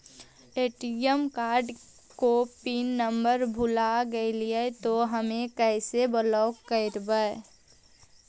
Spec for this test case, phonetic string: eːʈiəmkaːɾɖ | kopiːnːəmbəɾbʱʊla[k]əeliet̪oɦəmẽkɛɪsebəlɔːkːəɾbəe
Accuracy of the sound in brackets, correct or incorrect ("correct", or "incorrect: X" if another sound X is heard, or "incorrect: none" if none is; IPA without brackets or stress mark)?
incorrect: ɡ